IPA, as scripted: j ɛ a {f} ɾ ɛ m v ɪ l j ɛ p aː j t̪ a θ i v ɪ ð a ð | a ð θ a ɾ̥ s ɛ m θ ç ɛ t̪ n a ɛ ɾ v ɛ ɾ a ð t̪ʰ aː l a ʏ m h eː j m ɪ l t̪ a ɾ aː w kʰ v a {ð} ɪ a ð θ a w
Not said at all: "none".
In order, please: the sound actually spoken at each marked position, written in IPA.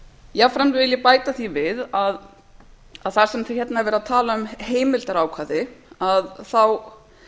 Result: f, ð

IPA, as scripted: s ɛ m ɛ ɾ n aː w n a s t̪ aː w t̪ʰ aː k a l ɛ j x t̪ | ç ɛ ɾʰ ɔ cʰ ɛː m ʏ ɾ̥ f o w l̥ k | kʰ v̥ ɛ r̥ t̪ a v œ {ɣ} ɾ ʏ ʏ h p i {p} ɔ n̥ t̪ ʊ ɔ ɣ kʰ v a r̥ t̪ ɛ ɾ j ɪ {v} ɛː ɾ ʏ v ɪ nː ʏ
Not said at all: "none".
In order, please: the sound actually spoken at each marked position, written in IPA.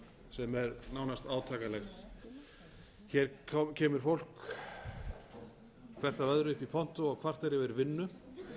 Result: ð, pʰ, v

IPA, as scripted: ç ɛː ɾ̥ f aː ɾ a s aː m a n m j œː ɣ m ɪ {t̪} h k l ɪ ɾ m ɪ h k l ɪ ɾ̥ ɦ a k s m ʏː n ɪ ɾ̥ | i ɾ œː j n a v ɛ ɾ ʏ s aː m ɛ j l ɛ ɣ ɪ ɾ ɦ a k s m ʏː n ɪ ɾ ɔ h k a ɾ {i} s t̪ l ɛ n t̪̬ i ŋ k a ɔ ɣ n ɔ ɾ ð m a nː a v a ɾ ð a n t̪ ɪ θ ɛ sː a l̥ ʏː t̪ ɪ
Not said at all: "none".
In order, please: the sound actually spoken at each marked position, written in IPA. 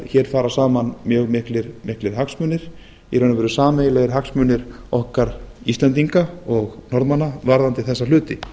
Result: none, i

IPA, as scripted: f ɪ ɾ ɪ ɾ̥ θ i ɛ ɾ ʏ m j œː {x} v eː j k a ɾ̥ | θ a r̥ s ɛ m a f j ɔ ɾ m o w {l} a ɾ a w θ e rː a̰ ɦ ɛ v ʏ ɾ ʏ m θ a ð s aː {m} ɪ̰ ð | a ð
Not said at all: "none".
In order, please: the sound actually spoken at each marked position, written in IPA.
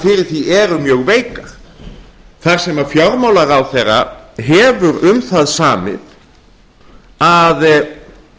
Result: ɣ, l, m

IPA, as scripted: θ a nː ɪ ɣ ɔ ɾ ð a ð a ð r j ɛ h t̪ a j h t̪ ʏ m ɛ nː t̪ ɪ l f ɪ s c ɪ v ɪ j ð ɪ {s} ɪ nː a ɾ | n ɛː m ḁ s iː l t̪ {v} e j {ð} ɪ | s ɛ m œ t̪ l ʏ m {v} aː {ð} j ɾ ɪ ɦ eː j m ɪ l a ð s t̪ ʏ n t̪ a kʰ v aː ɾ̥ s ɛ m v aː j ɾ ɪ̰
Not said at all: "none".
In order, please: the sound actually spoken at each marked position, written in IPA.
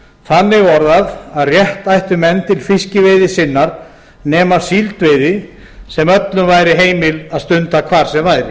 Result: s, v, ð, v, none

